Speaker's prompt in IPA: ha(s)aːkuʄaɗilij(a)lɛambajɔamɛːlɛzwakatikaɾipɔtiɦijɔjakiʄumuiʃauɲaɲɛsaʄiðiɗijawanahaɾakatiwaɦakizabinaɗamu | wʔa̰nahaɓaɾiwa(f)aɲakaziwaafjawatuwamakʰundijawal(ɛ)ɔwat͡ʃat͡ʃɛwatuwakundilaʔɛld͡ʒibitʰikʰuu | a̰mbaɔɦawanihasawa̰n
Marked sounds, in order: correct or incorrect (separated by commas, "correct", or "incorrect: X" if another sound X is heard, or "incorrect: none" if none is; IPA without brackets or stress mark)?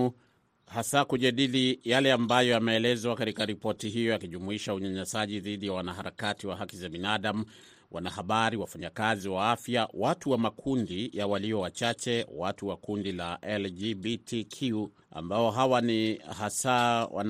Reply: correct, correct, correct, incorrect: i